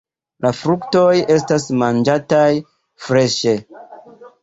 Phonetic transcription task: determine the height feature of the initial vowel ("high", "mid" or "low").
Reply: low